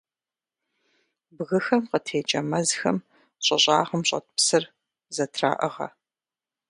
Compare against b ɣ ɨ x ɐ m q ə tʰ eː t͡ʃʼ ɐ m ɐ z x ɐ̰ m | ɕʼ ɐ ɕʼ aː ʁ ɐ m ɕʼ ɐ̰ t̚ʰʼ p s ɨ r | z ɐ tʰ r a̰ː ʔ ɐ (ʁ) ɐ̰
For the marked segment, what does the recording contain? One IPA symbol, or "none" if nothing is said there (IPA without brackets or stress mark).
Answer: ʁ